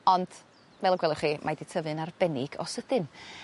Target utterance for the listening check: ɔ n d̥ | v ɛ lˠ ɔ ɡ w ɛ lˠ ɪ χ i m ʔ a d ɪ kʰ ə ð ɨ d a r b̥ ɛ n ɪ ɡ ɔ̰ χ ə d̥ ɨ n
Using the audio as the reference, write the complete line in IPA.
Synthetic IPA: ɔ n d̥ | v ɛ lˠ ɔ ɡ w ɛ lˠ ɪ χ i m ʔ a d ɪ tʰ ə v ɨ n a r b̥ ɛ n ɪ ɡ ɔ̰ s ə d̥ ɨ n